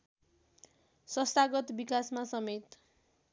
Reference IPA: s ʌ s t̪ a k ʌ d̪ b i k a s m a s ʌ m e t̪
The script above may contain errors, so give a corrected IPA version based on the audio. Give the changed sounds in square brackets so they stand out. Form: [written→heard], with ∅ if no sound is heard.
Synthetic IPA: s ʌ s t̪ a [k→ɡ] ʌ [d̪→t̪] b i k a s m a s ʌ m e t̪